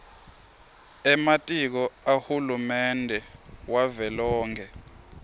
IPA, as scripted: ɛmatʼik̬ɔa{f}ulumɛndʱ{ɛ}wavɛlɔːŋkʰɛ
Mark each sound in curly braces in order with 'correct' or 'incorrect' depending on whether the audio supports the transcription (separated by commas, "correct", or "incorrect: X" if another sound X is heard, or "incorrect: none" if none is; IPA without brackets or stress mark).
incorrect: h, correct